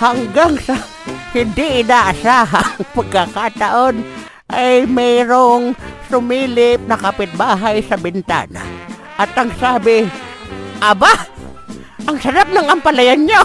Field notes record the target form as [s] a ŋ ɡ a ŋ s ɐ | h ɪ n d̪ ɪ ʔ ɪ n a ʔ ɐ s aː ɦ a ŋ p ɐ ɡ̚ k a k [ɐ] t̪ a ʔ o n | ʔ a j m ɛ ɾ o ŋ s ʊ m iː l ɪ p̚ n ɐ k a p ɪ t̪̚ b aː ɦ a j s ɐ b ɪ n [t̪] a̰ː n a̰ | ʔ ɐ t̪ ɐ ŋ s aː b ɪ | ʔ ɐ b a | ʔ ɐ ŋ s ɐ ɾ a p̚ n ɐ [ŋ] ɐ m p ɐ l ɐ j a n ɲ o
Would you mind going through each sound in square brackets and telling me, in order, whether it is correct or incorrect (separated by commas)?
incorrect, incorrect, correct, correct